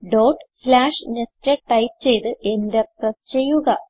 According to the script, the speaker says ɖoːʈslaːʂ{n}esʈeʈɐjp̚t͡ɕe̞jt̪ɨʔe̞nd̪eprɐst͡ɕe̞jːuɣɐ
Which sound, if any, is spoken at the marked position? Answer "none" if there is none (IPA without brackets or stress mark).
n